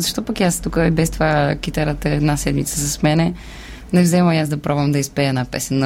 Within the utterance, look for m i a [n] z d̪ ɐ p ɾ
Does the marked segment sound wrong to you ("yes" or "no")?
yes